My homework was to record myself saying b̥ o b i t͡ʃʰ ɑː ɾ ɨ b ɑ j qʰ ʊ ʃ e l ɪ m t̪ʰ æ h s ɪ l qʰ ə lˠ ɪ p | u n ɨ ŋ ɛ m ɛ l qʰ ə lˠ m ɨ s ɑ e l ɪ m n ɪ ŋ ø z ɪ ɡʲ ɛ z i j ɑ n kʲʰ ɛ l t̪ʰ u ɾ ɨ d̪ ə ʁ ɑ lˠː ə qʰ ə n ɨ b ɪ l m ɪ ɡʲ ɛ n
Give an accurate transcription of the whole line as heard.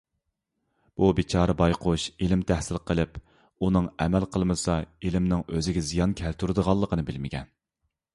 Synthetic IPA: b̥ u b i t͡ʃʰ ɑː ɾ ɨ b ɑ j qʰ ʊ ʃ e l ɪ m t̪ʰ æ h s ɪ l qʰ ə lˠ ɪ p | u n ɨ ŋ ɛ m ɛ l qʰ ə lˠ m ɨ s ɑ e l ɪ m n ɪ ŋ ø z ɪ ɡʲ ɛ z i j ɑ n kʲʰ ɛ l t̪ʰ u ɾ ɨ d̪ ə ʁ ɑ lˠː ə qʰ ə n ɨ b ɪ l m ɪ ɡʲ ɛ n